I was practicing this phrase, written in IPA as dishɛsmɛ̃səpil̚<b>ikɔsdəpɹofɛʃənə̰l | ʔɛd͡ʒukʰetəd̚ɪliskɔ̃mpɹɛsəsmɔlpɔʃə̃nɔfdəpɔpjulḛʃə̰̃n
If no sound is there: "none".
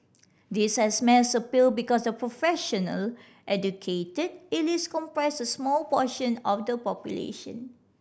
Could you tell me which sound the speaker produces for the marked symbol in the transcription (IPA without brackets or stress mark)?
b